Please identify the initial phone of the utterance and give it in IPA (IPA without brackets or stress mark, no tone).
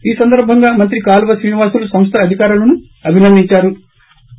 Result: iː